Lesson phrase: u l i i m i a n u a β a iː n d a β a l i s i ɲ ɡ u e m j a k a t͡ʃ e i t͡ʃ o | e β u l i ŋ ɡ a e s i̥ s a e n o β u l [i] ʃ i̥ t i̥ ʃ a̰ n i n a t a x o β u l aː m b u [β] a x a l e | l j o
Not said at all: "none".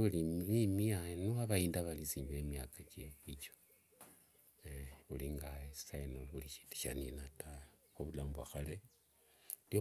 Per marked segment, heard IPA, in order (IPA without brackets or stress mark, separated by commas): i, none